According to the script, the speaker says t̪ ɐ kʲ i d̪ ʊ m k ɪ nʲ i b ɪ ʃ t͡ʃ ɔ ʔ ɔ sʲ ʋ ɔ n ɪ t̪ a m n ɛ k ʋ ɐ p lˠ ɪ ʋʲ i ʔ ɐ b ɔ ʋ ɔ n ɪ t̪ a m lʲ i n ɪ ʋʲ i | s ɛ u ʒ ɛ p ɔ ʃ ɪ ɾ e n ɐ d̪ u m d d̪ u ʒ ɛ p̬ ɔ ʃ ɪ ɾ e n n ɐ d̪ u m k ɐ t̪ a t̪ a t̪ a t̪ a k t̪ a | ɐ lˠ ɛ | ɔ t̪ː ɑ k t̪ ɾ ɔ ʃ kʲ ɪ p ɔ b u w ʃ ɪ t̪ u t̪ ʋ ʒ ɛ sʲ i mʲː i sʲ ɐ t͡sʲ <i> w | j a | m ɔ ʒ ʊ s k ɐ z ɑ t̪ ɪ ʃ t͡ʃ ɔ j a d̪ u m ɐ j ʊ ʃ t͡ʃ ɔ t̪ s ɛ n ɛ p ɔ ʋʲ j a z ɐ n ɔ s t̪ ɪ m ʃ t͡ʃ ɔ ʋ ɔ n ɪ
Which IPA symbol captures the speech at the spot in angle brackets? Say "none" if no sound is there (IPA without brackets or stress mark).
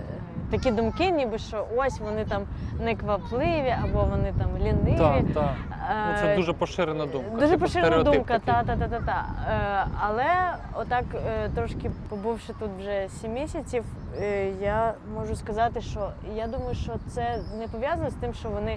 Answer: i